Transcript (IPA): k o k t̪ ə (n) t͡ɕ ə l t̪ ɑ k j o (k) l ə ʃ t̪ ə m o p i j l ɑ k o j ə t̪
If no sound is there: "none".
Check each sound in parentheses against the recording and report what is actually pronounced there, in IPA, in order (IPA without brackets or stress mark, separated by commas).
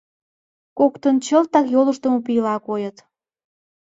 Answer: n, none